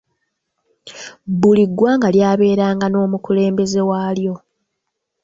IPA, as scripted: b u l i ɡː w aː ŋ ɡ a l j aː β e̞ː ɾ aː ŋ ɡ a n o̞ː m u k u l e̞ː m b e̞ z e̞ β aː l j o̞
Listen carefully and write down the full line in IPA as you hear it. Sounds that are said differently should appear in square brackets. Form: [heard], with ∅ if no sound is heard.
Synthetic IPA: b u l i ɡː w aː ŋ ɡ a l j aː β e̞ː ɾ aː ŋ ɡ a n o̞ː m u k u l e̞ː m b e̞ z e̞ [w] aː l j o̞